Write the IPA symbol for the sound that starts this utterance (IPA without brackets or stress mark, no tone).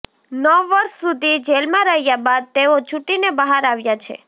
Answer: n